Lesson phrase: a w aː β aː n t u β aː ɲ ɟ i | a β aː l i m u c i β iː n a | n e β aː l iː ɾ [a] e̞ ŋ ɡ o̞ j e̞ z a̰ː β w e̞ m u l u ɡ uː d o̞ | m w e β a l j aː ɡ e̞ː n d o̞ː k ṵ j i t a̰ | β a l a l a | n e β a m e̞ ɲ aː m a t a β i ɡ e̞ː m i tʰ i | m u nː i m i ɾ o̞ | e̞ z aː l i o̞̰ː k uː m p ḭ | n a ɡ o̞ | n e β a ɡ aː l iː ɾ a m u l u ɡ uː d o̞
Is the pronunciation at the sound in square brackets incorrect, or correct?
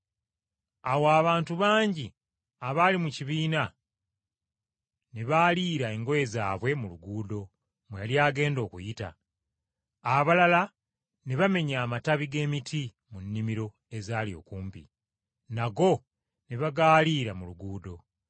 correct